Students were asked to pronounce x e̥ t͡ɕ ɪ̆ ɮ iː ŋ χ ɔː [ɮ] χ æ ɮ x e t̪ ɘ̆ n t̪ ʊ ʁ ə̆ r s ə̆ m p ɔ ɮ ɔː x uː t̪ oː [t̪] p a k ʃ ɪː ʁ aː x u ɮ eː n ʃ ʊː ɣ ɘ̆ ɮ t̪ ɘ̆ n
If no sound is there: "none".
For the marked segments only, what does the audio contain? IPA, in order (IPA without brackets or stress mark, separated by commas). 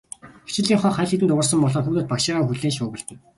none, t̪